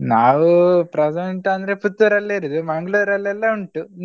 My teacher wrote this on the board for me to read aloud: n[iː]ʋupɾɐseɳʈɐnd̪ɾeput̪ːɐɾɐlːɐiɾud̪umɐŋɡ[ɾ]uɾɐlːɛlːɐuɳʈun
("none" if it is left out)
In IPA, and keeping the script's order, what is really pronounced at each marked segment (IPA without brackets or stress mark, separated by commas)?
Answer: aː, ɭ